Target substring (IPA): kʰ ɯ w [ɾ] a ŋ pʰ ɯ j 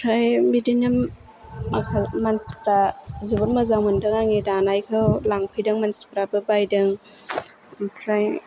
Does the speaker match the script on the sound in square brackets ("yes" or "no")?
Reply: no